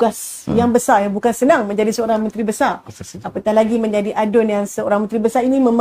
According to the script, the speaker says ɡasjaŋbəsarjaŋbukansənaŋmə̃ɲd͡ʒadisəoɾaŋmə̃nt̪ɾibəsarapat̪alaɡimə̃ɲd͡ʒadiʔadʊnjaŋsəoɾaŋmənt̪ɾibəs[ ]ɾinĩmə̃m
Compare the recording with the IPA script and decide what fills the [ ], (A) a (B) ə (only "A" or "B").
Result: A